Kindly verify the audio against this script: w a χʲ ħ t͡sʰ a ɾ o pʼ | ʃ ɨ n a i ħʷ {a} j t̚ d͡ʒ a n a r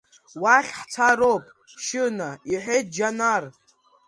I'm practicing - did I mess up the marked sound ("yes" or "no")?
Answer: yes